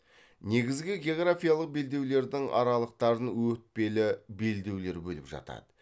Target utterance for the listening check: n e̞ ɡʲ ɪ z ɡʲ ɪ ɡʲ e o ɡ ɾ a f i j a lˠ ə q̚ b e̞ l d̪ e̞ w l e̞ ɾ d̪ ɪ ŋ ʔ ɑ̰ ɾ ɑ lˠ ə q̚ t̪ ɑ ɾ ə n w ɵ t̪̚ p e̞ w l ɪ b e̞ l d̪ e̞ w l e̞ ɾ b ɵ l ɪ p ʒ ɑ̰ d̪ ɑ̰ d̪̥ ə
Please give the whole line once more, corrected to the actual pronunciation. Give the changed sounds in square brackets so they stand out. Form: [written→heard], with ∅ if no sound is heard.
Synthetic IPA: n e̞ ɡʲ ɪ z ɡʲ ɪ ɡʲ e o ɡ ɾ a f i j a lˠ ə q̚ b e̞ l d̪ e̞ w l e̞ ɾ d̪ ɪ ŋ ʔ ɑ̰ ɾ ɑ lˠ ə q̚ t̪ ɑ ɾ ə n w ɵ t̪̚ p e̞ [w→∅] l ɪ b e̞ l d̪ e̞ w l e̞ ɾ b ɵ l ɪ p ʒ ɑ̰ [d̪→t̪] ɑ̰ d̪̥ ə